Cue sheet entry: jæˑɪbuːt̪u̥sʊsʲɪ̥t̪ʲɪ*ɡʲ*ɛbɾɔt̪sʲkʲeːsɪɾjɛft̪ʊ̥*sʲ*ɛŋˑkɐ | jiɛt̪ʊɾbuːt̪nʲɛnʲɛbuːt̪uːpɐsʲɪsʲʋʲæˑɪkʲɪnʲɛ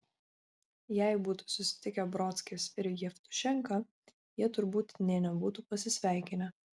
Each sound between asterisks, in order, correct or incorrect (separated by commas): incorrect, incorrect